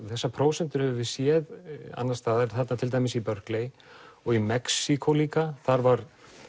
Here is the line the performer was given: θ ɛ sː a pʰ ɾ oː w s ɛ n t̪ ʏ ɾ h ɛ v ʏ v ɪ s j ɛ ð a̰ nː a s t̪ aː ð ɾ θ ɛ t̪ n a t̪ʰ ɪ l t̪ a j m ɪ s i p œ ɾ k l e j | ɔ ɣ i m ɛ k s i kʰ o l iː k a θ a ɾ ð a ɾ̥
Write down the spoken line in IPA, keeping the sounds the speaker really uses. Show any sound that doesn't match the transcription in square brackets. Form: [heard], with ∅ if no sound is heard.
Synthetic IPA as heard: θ ɛ sː a pʰ ɾ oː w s ɛ n t̪ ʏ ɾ h ɛ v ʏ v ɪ s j ɛ ð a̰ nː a s t̪ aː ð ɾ θ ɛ t̪ n a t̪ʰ ɪ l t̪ a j m ɪ s i p œ ɾ k l e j | ɔ ɣ i m ɛ k s i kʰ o l iː k a θ a ɾ [v] a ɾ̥